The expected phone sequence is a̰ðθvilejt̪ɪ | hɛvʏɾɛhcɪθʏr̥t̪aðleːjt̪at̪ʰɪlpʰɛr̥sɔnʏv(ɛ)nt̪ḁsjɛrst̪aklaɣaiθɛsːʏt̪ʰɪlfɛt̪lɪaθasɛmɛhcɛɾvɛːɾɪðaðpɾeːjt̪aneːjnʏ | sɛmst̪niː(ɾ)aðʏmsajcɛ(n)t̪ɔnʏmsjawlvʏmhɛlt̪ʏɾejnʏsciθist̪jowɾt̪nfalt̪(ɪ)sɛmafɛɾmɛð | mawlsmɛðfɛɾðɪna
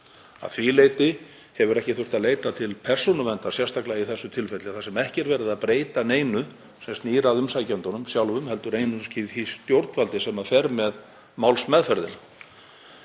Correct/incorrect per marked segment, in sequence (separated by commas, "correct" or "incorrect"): correct, correct, correct, correct